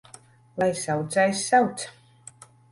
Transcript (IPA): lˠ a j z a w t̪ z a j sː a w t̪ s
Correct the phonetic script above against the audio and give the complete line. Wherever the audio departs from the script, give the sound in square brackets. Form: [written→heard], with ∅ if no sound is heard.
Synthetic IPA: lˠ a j [z→s] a w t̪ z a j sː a w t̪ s